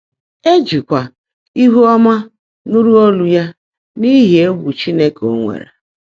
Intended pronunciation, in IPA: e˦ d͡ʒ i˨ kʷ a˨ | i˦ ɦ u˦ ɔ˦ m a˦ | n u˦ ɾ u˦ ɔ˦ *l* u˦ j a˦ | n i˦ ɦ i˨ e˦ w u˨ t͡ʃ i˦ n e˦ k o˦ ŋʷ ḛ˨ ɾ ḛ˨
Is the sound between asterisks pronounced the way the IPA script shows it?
yes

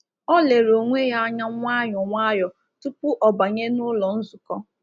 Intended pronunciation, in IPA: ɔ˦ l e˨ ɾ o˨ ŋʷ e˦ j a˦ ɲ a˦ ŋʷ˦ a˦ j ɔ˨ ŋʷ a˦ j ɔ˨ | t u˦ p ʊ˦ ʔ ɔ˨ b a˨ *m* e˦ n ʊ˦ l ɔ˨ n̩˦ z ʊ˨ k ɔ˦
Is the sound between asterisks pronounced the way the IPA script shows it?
no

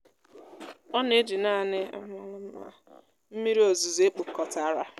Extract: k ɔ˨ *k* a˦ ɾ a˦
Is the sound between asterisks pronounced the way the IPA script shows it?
no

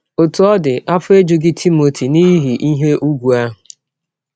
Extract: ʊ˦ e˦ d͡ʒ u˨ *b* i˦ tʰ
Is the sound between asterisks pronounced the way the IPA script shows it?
no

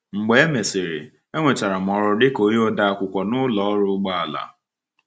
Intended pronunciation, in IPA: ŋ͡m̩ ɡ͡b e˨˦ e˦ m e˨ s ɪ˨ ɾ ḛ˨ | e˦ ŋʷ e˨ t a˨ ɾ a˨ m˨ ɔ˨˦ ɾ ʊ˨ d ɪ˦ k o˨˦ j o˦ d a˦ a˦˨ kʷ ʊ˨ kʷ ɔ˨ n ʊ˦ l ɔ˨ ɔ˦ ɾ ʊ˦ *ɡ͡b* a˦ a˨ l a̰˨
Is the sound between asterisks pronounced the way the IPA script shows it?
yes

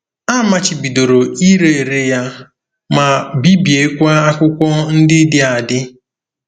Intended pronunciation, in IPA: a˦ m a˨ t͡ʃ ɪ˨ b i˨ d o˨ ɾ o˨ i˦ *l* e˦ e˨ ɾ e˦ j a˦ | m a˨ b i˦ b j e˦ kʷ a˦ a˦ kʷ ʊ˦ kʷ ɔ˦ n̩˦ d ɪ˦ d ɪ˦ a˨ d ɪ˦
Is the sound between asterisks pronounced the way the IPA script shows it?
no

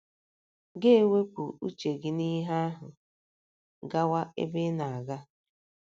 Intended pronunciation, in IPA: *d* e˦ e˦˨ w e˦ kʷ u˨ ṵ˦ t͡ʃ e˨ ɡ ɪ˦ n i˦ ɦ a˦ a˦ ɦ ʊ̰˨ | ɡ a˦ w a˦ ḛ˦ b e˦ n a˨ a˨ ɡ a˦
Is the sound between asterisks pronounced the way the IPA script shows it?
no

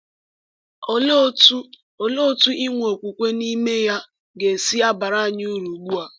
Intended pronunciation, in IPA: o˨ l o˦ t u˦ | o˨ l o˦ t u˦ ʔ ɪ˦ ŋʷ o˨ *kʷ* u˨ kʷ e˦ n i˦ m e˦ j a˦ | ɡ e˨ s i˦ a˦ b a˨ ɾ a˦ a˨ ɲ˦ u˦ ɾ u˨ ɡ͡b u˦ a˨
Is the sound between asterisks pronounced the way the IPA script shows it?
yes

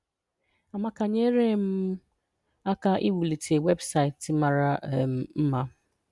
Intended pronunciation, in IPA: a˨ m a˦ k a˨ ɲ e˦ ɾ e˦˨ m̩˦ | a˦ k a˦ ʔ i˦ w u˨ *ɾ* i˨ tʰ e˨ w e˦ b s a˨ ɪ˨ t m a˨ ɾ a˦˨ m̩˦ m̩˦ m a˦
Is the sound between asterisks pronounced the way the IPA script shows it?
no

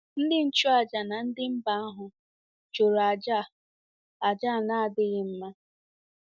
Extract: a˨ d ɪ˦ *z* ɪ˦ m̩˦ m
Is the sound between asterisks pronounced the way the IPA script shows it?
no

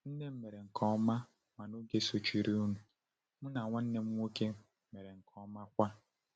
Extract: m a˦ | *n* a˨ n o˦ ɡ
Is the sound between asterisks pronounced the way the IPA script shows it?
no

